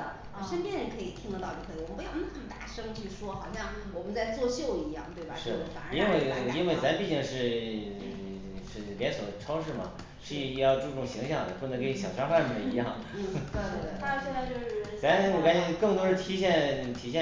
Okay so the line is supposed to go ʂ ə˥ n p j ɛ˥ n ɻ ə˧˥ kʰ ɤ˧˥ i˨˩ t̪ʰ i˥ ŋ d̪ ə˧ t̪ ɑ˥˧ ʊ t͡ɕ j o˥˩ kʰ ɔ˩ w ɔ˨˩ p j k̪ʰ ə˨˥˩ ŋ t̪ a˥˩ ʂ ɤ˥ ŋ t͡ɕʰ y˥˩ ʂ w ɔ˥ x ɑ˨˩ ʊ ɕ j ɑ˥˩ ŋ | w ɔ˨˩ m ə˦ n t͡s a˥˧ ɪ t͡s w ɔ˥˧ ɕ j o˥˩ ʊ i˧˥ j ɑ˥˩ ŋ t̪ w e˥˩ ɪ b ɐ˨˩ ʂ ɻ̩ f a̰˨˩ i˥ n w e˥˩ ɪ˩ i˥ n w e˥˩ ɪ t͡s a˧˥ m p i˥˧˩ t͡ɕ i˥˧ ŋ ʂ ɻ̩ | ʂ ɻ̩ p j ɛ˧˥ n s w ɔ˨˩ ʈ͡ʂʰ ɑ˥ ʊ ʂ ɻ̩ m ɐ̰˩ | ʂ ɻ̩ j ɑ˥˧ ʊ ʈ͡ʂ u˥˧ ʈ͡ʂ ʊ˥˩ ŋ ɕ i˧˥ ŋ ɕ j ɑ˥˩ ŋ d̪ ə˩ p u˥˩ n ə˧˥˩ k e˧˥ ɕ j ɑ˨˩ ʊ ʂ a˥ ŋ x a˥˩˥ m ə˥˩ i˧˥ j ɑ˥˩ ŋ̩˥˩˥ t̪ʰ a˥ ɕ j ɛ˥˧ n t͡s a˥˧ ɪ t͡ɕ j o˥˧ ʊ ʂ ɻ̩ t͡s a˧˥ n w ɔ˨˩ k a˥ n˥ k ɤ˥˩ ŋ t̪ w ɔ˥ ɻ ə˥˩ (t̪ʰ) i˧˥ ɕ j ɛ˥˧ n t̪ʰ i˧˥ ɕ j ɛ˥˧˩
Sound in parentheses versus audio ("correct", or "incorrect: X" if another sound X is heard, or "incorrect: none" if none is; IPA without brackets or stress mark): correct